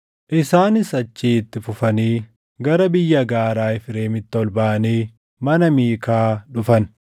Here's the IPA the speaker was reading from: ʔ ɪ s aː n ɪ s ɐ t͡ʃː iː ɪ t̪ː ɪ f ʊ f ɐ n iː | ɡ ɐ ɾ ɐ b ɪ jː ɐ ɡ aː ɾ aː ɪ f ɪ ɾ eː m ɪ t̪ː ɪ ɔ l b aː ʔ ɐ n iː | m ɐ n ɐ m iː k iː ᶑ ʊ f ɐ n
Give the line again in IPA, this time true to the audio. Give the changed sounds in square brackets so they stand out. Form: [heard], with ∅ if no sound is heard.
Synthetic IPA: ʔ ɪ s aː n ɪ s ɐ t͡ʃː iː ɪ t̪ː ɪ f ʊ f ɐ n iː | ɡ ɐ ɾ ɐ b ɪ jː ɐ ɡ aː ɾ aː ɪ f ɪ ɾ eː m ɪ t̪ː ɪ ɔ l b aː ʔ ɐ n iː | m ɐ n ɐ m iː k [aː] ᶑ ʊ f ɐ n